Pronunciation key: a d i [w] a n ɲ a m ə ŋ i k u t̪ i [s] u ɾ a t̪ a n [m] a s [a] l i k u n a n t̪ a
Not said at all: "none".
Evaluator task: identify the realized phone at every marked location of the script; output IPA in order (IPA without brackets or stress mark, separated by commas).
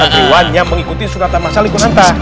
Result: w, s, m, a